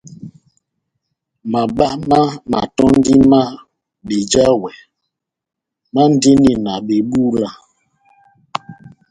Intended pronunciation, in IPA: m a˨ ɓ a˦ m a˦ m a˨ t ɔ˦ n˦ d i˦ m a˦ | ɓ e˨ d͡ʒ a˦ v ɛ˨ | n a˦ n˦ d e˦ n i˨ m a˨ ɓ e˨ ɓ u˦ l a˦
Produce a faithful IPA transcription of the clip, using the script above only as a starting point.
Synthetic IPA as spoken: m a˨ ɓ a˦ m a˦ m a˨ t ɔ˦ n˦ d i˦ m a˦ | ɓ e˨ d͡ʒ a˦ w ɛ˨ | m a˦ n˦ d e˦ n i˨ n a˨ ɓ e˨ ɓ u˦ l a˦